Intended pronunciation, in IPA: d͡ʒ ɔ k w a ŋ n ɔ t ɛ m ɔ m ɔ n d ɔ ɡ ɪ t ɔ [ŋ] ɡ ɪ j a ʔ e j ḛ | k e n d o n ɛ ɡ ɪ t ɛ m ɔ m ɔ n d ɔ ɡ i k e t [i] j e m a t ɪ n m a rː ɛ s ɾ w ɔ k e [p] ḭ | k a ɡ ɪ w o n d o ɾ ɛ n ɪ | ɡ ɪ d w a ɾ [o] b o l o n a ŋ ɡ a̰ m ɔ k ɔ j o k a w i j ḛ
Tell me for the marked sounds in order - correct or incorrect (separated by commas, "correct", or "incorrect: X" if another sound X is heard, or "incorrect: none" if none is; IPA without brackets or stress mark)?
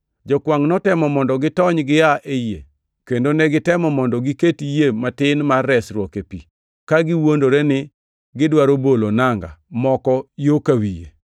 incorrect: ɲ, correct, correct, correct